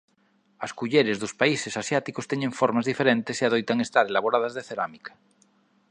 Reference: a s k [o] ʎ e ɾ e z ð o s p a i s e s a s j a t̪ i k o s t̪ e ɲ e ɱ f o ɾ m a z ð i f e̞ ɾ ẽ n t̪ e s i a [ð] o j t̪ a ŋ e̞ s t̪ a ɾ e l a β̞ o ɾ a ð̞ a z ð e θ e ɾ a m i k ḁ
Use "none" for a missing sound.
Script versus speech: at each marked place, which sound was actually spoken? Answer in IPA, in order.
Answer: u, ð

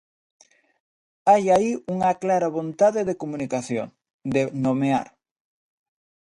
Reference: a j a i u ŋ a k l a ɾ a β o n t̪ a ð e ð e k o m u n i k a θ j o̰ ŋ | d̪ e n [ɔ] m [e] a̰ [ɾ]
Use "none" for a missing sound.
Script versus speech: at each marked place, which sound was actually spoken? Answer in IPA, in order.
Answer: o, e, ɾ

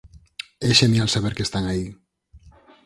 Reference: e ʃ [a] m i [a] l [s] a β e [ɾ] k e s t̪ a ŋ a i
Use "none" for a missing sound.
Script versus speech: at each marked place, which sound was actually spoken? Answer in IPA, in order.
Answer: e, a, s, ɾ

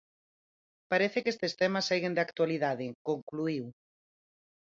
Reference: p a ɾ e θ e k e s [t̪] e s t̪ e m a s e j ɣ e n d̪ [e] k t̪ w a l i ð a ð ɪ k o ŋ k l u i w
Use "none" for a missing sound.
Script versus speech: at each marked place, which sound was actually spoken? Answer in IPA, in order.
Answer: t̪, a

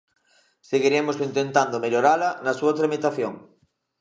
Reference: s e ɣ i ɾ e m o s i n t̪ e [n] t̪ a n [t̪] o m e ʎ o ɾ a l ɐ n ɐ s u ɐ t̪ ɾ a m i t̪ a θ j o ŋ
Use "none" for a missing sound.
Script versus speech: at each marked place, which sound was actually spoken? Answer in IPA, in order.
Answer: n, d̪

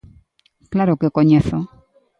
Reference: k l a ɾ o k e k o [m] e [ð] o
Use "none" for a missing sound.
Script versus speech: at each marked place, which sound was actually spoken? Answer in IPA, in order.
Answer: ɲ, θ

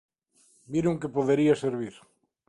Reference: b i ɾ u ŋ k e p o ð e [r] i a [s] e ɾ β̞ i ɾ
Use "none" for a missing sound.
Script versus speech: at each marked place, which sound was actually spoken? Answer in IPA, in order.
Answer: ɾ, s

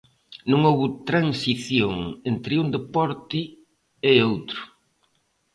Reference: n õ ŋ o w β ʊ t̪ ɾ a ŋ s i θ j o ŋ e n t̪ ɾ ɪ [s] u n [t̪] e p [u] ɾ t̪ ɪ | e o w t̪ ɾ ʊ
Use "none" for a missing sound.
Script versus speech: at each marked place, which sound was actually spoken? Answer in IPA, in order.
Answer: none, d̪, ɔ

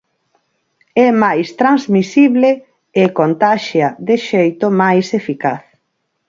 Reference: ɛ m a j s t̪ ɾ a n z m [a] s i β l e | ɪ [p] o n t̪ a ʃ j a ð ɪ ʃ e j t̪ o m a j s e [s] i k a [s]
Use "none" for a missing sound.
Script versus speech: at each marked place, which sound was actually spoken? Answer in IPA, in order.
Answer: i, k, f, θ

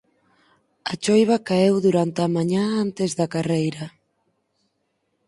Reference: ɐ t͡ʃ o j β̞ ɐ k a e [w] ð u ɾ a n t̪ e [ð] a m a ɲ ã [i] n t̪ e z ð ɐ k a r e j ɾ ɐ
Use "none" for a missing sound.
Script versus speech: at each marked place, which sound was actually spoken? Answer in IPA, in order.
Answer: w, none, a

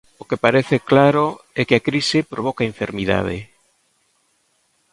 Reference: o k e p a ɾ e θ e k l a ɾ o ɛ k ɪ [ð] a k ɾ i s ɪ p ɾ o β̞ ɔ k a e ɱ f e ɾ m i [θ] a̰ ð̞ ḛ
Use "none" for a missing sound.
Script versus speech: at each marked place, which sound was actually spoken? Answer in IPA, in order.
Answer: none, ð

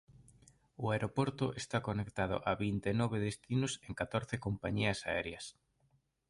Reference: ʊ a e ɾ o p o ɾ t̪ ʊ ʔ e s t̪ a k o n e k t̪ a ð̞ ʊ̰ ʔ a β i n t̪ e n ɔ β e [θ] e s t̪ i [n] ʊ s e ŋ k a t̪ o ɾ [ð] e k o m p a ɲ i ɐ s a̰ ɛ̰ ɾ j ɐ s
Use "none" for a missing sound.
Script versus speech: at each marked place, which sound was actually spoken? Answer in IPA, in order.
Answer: ð, n, θ

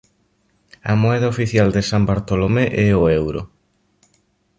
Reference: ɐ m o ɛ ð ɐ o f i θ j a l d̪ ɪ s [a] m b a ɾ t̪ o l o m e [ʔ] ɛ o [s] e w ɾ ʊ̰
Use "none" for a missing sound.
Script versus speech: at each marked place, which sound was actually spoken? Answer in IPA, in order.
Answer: a, ʔ, none

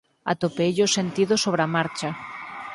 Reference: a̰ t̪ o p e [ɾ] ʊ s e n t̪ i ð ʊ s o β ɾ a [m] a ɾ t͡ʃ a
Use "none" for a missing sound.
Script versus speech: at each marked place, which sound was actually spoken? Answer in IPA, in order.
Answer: ʎ, m

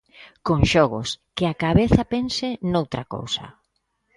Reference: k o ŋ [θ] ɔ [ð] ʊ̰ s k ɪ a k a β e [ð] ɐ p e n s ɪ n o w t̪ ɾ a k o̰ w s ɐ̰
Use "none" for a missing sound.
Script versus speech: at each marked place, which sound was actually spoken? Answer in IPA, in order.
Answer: ʃ, ɣ, θ

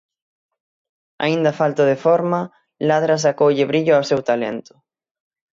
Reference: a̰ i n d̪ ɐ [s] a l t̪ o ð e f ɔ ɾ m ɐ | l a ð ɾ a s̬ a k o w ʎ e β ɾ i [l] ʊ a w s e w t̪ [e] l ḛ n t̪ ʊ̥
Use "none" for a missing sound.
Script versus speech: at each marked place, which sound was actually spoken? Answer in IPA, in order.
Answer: f, ʎ, a

